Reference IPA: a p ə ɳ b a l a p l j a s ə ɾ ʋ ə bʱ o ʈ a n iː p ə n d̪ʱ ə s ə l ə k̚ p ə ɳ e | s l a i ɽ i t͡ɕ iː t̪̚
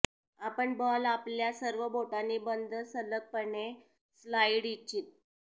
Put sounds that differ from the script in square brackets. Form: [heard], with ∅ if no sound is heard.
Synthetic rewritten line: a p ə ɳ b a l a p l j a s ə ɾ ʋ ə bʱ o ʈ a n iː [b] ə n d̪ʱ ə s ə l ə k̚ p ə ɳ e | s l a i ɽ i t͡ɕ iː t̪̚